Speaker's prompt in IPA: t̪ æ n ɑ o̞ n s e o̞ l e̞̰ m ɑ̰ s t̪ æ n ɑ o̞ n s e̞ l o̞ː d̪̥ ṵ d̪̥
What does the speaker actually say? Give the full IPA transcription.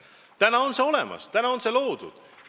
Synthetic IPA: t̪ æ n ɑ o̞ n s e o̞ l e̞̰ m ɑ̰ s t̪ æ n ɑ o̞ n s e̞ l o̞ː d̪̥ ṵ d̪̥